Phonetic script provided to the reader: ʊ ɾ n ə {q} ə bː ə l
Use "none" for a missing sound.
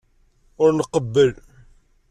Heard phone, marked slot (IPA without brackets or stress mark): q